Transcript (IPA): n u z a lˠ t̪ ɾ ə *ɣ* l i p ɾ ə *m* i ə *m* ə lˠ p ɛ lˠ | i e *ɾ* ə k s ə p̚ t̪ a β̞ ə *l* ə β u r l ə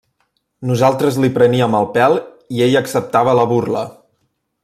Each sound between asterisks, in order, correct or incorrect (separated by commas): incorrect, incorrect, correct, incorrect, correct